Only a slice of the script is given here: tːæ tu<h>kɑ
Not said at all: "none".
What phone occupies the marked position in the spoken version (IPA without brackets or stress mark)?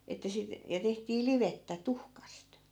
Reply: h